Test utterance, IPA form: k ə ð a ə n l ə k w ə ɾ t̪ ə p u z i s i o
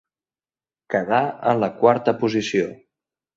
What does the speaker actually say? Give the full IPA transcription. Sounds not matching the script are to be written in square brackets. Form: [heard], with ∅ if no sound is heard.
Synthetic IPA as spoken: k ə ð a ə n l ə k w [a] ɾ t̪ ə p u z i s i o